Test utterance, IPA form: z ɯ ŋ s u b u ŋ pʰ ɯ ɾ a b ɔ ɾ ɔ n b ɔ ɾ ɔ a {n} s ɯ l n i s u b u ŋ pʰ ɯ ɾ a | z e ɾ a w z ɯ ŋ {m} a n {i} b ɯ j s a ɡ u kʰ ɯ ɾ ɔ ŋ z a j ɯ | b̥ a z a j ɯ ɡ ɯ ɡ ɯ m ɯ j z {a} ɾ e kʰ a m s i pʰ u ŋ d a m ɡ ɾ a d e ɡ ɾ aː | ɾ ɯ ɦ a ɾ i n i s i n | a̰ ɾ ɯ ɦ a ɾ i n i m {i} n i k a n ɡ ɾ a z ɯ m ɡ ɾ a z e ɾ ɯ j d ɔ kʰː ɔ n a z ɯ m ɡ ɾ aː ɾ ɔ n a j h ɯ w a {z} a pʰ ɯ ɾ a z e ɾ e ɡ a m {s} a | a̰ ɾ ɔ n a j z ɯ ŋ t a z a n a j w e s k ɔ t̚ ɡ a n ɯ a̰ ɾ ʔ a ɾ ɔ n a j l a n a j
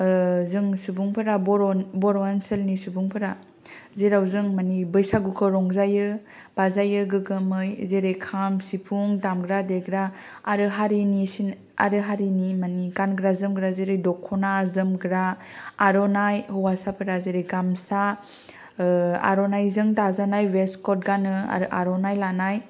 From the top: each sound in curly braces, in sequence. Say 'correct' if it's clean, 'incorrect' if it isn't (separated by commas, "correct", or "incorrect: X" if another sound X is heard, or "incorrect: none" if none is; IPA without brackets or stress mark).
correct, correct, correct, incorrect: e, incorrect: a, incorrect: s, correct